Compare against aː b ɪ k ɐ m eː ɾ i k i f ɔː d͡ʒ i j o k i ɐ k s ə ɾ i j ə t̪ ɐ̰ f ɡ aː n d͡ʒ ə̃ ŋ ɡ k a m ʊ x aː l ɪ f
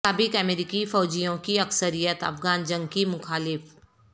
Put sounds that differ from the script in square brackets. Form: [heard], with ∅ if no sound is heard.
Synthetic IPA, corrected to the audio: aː b ɪ k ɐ m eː ɾ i k i f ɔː d͡ʒ i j [õ] k i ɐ k s ə ɾ i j ə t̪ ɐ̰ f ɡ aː n d͡ʒ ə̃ ŋ ɡ k [i] m ʊ x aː l ɪ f